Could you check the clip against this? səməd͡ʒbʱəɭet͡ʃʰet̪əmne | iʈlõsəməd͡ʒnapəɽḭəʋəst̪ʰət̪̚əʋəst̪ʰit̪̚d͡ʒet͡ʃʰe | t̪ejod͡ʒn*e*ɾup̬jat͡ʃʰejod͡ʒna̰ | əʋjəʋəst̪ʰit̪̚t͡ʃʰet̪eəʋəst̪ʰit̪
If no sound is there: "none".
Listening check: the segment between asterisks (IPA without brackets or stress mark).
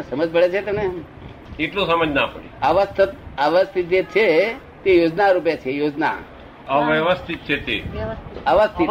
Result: a